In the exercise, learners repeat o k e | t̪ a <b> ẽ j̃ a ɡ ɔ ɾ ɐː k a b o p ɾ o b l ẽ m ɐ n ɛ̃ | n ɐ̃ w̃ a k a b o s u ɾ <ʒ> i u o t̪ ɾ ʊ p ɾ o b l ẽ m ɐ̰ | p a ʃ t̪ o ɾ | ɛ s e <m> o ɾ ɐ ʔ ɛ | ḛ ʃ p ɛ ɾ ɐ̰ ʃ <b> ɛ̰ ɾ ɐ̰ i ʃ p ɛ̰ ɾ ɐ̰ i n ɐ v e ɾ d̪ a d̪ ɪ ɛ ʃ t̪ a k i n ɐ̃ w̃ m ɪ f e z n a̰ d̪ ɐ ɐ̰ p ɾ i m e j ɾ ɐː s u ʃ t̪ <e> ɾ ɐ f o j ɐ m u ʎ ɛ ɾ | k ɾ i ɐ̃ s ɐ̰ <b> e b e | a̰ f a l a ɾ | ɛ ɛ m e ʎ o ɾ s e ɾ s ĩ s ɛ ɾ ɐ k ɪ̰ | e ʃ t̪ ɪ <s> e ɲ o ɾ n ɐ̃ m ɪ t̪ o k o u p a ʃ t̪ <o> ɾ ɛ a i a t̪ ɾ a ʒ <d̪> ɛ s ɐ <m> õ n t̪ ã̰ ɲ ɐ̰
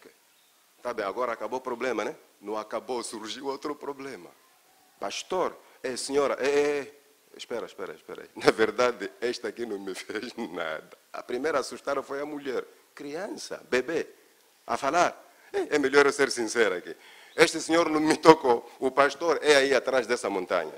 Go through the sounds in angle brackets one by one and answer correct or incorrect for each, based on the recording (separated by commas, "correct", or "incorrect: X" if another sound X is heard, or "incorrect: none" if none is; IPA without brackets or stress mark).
correct, correct, incorrect: ɲ, incorrect: p, incorrect: a, correct, correct, correct, correct, correct